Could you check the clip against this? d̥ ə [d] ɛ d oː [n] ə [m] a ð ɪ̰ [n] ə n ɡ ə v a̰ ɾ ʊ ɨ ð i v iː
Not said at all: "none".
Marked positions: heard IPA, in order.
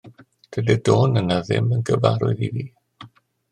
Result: d, n, n, m

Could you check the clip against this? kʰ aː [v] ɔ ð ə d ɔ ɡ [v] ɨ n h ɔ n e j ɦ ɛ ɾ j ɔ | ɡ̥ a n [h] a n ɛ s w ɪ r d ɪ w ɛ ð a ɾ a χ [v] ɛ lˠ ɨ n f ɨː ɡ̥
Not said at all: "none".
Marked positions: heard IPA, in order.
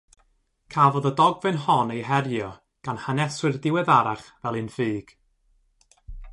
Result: v, v, h, v

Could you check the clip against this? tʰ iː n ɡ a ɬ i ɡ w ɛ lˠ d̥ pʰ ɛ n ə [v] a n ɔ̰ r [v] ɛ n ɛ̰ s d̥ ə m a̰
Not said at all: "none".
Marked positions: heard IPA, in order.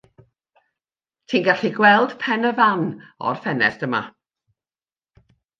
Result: v, f

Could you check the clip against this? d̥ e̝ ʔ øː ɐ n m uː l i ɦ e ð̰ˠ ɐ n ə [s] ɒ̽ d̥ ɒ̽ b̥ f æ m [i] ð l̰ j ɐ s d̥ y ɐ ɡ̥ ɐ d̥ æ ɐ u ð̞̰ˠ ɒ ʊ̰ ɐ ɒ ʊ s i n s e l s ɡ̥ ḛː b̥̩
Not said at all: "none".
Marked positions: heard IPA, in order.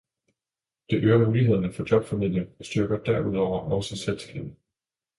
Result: f, i

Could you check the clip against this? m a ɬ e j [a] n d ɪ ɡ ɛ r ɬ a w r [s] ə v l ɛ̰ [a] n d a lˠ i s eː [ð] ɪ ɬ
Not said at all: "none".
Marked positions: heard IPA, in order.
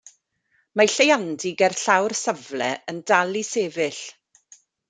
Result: a, s, ə, v

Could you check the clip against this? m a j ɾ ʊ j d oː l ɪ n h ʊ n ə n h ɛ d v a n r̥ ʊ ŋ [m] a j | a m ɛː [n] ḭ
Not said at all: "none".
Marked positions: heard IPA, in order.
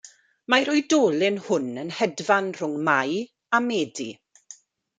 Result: m, d

